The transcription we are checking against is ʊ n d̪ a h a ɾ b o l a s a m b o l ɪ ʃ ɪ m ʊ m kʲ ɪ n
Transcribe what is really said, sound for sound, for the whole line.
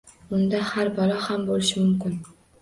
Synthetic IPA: ʊ n d̪ a h a ɾ b ɒ l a h a m b o l ɪ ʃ ɪ m ʊ m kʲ ɪ n

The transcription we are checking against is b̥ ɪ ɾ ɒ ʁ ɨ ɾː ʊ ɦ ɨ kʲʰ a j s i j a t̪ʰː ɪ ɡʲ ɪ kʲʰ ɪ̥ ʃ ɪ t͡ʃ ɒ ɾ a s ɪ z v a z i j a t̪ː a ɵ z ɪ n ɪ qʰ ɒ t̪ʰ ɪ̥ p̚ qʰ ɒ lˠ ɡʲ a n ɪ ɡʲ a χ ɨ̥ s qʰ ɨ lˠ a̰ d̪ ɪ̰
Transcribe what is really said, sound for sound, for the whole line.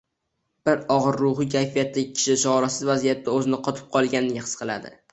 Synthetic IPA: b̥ ɪ ɾ ɒ ʁ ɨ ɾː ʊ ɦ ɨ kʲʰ a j f i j a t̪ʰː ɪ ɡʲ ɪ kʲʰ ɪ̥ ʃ ɪ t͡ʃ ɒ ɾ a s ɪ z v a z i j a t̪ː a ɵ z ɪ n ɪ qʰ ɒ t̪ʰ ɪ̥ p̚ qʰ ɒ lˠ ɡʲ a n ɪ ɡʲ a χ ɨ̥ s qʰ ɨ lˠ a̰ d̪ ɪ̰

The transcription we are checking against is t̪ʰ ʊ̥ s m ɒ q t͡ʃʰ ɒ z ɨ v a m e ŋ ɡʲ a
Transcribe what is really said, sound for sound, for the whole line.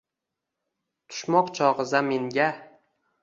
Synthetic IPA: t̪ʰ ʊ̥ ʃ m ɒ q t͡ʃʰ ɒ ʁ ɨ z a m e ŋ ɡʲ a

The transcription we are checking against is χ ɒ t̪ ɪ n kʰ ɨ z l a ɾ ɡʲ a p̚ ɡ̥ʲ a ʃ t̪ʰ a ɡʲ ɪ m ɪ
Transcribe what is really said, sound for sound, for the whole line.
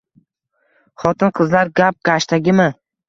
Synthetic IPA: χ ɒ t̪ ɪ n qʰ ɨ z l a ɾ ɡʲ a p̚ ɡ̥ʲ a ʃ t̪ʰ a ɡʲ ɪ m ɪ

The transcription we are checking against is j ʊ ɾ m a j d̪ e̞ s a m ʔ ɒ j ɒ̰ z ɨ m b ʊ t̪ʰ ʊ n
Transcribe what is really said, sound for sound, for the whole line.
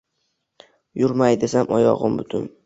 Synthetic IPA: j ʊ ɾ m a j d̪ e̞ s a m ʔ ɒ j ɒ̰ ʁ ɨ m b ʊ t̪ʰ ʊ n

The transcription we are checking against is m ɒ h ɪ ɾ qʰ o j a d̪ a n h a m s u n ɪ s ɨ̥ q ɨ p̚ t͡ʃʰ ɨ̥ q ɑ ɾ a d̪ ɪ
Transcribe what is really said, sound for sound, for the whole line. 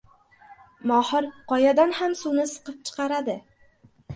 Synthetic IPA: m ɒ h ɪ ɾ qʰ ɒ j a d̪ a n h a m s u n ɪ s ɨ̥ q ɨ p̚ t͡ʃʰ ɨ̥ q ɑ ɾ a d̪ ɪ

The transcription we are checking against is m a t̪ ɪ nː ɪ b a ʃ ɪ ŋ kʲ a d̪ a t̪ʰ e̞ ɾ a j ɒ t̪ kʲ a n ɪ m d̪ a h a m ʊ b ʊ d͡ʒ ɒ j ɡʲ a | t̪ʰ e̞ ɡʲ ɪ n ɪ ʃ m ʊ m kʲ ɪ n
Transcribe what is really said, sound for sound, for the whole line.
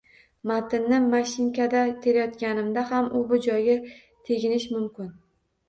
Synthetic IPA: m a t̪ ɪ nː ɪ m a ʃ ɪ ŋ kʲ a d̪ a t̪ʰ e̞ ɾ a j ɒ t̪ kʲ a n ɪ m d̪ a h a m ʊ b ʊ d͡ʒ ɒ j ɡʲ a | t̪ʰ e̞ ɡʲ ɪ n ɪ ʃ m ʊ m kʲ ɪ n

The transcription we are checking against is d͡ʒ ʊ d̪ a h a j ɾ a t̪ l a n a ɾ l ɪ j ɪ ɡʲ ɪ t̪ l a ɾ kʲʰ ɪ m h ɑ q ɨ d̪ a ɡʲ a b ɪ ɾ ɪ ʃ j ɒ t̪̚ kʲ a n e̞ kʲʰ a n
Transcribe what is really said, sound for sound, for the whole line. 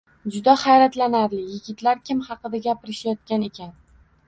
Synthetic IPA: d͡ʒ ʊ d̪ a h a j ɾ a t̪ l a n a ɾ l ɪ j ɪ ɡʲ ɪ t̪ l a ɾ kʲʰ ɪ m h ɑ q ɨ d̪ a ɡʲ a p ɪ ɾ ɪ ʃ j ɒ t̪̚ kʲ a n e̞ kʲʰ a n

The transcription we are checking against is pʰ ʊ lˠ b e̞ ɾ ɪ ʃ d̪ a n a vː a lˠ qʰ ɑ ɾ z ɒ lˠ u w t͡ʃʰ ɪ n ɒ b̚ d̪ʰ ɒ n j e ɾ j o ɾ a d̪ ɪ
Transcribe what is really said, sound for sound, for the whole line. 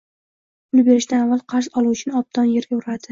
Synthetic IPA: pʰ ʊ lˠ b e̞ ɾ ɪ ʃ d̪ a n a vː a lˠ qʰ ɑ ɾ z ɒ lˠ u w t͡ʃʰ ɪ n ɒ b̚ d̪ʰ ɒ n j e ɾ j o ɾ a d̪ ɪ

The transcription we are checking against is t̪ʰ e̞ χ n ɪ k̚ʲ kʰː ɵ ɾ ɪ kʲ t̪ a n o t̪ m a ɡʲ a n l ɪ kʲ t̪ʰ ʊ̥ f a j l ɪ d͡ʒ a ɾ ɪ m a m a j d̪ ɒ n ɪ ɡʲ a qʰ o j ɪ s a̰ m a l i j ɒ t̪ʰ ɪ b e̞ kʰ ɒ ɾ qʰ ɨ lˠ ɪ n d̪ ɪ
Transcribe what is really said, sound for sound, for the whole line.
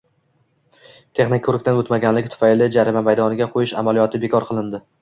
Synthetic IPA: t̪ʰ e̞ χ n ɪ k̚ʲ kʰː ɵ ɾ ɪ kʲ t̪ a n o t̪ m a ɡʲ a n l ɪ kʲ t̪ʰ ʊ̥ f a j l ɪ d͡ʒ a ɾ ɪ m a m a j d̪ ɒ n ɪ ɡʲ a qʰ o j ɪ ʃ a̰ m a l i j ɒ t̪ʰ ɪ b e̞ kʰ ɒ ɾ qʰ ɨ lˠ ɪ n d̪ ɪ

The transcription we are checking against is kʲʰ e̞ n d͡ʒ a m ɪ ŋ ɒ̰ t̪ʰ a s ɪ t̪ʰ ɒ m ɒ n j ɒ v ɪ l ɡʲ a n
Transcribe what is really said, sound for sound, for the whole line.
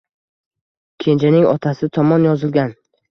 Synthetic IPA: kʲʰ e̞ n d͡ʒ a n ɪ ŋ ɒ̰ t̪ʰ a s ɪ t̪ʰ ɒ m ɒ n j ɒ z ɪ l ɡʲ a n

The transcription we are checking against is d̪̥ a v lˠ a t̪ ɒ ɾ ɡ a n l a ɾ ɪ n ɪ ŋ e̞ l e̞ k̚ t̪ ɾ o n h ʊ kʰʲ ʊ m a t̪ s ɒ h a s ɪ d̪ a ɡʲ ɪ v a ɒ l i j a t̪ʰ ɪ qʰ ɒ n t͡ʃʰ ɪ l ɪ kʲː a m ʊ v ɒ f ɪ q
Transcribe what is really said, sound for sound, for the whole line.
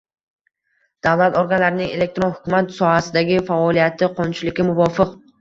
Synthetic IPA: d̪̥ a v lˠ a t̪ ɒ ɾ ɡ a n l a ɾ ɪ n ɪ ŋ e̞ l e̞ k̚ t̪ ɾ o n h ʊ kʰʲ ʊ m a t̪ s ɒ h a s ɪ d̪ a ɡʲ ɪ f a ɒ l i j a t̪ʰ ɪ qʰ ɒ n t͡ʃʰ ɪ l ɪ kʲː a m ʊ v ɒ f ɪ q

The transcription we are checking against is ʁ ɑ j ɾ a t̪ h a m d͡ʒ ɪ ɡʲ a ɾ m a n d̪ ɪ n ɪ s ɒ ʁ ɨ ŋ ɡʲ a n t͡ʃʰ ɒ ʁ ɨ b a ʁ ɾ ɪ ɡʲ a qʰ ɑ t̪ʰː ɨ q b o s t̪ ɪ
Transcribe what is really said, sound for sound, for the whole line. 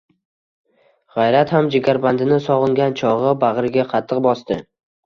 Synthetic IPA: ʁ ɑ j ɾ a t̪ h a m d͡ʒ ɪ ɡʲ a ɾ b a n d̪ ɪ n ɪ s ɒ ʁ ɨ ŋ ɡʲ a n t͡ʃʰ ɒ ʁ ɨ b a ʁ ɾ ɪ ɡʲ a qʰ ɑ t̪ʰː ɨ q b ɒ s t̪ ɪ

